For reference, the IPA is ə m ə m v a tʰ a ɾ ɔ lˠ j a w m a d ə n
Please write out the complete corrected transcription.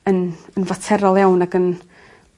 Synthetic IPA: ə n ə n v a tʰ ɛ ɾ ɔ lˠ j a w n a ɡ ə n